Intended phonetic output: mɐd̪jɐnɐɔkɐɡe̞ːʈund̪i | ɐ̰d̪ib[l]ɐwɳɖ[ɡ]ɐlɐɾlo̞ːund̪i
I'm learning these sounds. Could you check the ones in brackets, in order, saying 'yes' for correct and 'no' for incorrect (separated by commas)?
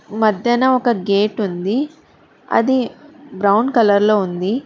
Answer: no, no